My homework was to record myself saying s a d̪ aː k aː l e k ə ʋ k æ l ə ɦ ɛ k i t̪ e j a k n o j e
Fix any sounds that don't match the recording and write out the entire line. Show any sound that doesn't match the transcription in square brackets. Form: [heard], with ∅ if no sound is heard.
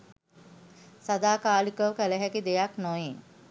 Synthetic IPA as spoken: s a d̪ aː k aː l [i] k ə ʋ k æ l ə ɦ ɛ k i [d̪] e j a k n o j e

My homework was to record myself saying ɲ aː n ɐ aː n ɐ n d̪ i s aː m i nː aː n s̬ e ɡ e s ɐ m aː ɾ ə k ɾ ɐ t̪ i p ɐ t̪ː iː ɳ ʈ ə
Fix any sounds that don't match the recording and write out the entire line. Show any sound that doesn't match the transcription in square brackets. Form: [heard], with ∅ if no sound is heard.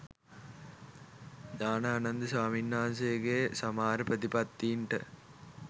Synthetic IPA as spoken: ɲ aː n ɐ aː n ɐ n d̪ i s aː m i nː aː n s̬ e ɡ e s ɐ m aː ɾ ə [p] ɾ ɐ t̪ i p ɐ t̪ː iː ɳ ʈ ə

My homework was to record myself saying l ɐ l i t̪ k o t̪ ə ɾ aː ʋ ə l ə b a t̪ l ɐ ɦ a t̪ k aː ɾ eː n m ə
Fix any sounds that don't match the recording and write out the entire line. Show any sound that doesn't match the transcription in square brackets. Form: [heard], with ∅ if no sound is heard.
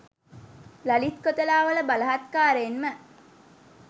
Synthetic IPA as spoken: l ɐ l i t̪ k o t̪ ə [l] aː ʋ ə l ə b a [∅] l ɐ ɦ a t̪ k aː ɾ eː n m ə

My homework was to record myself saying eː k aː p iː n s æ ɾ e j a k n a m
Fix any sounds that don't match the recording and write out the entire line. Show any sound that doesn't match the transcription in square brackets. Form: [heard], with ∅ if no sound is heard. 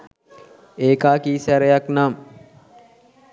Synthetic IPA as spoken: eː k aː [k] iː [∅] s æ ɾ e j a k n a m

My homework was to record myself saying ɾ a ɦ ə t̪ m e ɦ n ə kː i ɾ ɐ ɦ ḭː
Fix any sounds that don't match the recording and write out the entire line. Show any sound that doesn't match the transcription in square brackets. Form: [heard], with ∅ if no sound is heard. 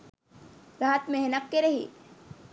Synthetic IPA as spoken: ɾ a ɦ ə t̪ m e ɦ n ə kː [e] ɾ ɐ ɦ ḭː

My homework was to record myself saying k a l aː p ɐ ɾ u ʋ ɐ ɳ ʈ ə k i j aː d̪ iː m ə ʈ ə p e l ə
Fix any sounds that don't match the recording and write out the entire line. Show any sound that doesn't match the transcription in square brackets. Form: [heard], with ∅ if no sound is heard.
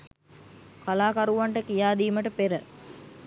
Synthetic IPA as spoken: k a l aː [k] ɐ ɾ u ʋ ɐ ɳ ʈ ə k i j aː d̪ iː m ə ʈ ə p e [ɾ] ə

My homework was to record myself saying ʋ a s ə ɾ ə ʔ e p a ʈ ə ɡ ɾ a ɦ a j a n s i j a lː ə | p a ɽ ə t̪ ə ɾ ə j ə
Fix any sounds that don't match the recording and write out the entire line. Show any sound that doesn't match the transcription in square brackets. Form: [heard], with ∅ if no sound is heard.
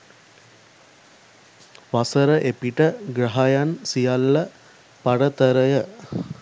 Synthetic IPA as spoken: ʋ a s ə ɾ ə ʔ e p [i] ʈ ə ɡ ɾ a ɦ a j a n s i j a lː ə | p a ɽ ə t̪ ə ɾ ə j ə

